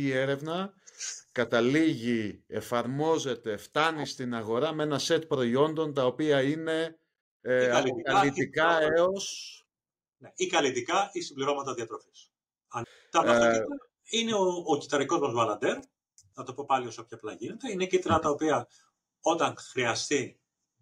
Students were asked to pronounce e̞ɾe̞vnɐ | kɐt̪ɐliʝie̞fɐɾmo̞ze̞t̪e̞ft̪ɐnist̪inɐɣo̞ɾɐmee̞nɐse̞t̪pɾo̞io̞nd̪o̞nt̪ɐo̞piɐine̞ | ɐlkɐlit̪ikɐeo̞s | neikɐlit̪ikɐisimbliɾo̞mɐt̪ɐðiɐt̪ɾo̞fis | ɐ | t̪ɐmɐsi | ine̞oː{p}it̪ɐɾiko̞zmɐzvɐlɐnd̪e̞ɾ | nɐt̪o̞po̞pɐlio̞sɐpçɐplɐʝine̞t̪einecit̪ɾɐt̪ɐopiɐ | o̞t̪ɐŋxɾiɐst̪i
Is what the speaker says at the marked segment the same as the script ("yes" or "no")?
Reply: no